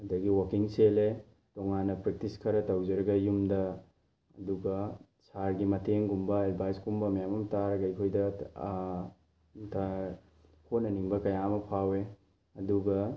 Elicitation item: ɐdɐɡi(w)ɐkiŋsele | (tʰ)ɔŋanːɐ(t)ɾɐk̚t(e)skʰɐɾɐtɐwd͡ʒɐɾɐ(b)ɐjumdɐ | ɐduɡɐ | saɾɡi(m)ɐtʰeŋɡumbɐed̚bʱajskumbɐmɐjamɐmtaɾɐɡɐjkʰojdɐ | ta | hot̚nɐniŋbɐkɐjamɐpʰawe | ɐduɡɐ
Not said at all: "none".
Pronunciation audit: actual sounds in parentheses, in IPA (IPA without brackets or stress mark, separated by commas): w, t, p, i, ɡ, m